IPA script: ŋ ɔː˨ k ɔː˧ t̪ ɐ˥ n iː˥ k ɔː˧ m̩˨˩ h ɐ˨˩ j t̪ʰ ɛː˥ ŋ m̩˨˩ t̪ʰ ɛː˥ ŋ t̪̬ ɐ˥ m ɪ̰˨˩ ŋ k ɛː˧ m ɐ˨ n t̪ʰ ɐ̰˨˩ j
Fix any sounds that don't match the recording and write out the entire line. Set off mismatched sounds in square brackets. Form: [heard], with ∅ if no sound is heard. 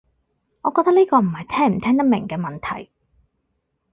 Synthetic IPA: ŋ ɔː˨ k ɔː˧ t̪ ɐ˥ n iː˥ k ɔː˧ m̩˨˩ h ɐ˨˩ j t̪ʰ ɛː˥ ŋ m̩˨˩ t̪ʰ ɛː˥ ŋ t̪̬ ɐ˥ m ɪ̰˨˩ ŋ k ɛː˧ m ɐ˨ n t̪ʰ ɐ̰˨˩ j